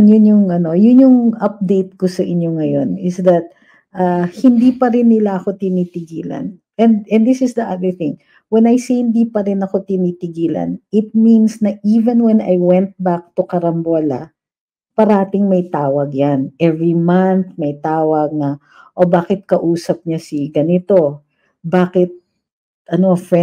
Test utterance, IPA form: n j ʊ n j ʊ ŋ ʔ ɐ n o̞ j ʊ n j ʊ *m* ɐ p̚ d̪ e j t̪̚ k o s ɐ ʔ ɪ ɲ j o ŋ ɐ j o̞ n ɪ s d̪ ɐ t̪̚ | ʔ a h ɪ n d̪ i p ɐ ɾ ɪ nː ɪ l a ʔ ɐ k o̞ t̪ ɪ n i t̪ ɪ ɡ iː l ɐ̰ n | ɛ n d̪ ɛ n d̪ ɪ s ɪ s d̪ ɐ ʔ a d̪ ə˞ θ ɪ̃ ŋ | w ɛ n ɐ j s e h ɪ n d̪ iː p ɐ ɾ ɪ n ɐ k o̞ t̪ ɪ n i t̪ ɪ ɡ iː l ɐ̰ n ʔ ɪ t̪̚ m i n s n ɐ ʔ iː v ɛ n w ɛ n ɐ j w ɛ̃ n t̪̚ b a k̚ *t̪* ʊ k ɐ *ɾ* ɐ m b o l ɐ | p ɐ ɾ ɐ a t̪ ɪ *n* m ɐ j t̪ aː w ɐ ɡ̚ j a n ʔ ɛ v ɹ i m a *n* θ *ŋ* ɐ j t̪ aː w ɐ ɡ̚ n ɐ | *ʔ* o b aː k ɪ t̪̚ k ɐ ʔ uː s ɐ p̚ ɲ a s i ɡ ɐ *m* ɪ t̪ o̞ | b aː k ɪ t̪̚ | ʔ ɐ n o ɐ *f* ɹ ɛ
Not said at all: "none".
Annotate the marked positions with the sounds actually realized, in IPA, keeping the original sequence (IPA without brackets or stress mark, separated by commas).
ŋ, t̪, ɾ, ŋ, n, m, ʔ, n, f